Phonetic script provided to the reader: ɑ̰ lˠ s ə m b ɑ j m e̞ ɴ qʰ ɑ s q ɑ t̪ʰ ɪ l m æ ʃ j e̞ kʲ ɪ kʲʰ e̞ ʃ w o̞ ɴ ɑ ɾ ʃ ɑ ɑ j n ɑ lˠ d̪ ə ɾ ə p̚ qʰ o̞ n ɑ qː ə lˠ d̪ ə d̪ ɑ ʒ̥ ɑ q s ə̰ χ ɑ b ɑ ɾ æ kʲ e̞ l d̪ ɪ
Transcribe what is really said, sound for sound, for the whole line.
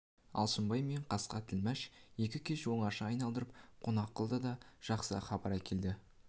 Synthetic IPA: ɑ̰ lˠ s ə m b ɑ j m e̞ ɴ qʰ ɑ s q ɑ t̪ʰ ɪ l m æ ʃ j e̞ kʲ ɪ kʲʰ e̞ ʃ w o̞ ɴ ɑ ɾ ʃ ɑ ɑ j n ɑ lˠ d̪ ə ɾ ə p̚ qʰ o̞ n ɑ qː ə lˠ d̪ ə d̪ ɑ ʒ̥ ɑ q s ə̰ χ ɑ b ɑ ɾ æ kʲ e̞ l d̪ ɪ

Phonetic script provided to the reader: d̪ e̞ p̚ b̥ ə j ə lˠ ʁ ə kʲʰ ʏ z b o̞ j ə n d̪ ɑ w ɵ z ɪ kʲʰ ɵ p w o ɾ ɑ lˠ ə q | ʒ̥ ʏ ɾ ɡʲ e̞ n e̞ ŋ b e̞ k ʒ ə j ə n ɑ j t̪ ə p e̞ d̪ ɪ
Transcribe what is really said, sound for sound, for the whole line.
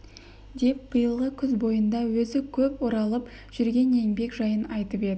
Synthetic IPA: d̪ e̞ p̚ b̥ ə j ə lˠ ʁ ə kʲʰ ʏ z b o̞ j ə n d̪ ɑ w ɵ z ɪ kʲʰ ɵ p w o ɾ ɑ lˠ ə p | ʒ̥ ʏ ɾ ɡʲ e̞ n e̞ ŋ b e̞ k ʒ ɑ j ə n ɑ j t̪ ə p e̞ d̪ ɪ

